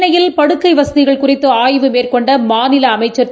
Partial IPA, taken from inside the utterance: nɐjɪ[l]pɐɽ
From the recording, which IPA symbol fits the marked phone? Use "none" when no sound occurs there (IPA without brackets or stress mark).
l